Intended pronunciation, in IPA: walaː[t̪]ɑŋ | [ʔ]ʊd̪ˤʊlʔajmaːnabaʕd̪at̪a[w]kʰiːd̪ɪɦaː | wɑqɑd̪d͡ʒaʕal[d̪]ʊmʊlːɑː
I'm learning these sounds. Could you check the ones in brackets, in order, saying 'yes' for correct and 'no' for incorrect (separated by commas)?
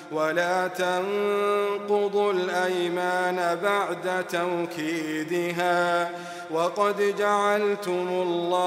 yes, no, yes, no